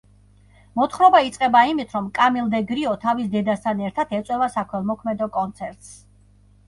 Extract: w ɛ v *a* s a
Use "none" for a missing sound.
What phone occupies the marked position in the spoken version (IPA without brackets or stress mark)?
a